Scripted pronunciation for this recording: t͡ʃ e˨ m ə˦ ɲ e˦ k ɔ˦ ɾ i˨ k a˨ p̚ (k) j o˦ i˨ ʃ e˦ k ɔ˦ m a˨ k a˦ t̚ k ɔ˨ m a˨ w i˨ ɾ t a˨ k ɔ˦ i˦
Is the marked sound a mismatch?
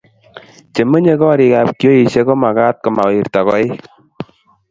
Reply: no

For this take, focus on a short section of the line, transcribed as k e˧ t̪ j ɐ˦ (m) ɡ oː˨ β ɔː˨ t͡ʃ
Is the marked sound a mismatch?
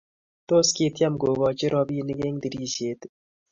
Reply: no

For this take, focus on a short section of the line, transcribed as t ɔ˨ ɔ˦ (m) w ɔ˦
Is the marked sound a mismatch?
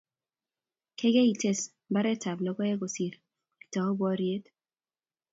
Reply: yes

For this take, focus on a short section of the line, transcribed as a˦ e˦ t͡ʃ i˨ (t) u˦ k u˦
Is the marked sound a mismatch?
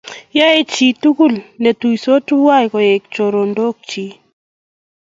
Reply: no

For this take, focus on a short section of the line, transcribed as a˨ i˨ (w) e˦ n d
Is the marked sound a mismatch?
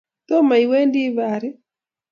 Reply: no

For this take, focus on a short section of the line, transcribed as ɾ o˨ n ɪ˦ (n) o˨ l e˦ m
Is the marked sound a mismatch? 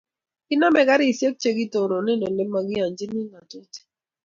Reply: no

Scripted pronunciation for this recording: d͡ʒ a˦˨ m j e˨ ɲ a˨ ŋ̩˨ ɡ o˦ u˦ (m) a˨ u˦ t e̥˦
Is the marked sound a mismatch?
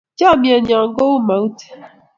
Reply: no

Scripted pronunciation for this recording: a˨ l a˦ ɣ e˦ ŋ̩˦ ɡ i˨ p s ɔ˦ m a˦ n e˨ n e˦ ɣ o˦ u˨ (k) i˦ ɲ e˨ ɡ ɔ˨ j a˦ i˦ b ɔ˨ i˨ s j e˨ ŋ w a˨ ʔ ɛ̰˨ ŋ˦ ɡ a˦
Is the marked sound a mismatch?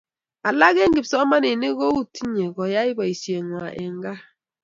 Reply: yes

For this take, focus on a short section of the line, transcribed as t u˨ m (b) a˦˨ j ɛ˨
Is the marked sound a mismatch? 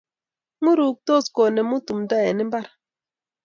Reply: yes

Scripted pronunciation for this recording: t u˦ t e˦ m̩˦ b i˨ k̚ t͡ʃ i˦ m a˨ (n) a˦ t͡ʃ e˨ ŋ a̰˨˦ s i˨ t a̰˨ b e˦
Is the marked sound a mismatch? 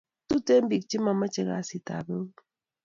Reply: yes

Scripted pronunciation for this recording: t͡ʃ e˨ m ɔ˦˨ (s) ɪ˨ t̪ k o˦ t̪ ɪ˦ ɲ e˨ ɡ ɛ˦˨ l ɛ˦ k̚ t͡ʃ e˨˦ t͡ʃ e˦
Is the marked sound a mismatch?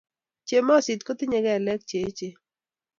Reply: no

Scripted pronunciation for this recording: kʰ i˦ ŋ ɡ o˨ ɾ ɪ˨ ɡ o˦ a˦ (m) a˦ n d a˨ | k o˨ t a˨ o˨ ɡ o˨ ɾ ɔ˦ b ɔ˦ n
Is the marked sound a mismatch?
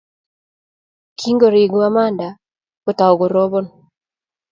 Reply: no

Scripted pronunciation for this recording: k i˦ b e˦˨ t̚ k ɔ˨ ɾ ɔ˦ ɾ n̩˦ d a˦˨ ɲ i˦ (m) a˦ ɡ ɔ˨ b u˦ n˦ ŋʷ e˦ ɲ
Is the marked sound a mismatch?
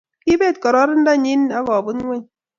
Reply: yes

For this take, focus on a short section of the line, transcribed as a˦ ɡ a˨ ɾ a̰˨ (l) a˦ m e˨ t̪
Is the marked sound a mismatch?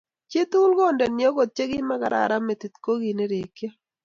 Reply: yes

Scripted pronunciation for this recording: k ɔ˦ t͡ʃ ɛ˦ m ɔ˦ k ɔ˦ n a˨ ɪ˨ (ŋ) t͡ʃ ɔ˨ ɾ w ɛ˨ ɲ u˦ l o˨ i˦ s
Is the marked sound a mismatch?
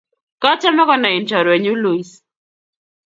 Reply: yes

